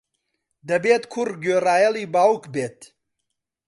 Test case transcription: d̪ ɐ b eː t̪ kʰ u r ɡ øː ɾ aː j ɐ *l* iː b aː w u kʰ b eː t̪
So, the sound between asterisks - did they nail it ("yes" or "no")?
yes